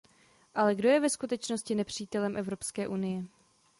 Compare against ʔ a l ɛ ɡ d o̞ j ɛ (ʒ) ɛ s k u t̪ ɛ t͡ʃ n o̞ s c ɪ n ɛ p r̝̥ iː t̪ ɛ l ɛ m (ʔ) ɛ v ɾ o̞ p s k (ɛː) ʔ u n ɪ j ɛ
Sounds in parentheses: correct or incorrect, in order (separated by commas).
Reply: incorrect, correct, correct